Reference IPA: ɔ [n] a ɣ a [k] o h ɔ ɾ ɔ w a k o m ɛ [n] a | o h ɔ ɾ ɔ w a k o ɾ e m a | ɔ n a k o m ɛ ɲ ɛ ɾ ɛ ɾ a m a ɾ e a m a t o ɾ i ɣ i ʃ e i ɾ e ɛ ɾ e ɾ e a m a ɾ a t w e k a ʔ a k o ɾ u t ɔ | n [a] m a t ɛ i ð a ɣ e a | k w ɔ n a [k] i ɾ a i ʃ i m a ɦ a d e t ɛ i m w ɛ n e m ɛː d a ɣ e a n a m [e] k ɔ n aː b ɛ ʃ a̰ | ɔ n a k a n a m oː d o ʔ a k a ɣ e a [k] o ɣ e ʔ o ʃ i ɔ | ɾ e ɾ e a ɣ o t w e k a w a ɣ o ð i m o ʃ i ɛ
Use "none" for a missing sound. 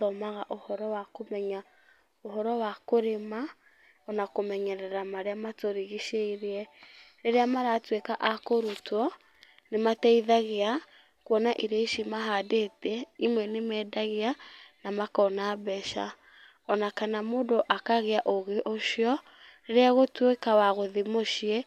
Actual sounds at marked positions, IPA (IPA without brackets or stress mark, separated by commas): m, ʔ, ɲ, e, ʔ, a, ʔ